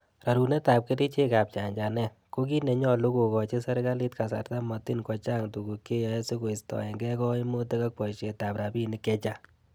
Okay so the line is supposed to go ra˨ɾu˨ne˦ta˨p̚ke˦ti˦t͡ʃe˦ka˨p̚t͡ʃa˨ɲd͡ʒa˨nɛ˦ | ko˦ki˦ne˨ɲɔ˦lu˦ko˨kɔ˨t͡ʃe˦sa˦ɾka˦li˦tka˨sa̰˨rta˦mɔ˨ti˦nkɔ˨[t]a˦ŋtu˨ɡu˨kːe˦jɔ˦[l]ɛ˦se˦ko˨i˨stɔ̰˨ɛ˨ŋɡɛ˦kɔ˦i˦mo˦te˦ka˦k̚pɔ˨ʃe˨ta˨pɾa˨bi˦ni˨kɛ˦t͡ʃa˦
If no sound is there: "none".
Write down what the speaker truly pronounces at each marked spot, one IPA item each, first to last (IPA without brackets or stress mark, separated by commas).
t͡ʃ, none